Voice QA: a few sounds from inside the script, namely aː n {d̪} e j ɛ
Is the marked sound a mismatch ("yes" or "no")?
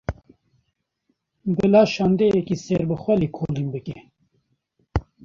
no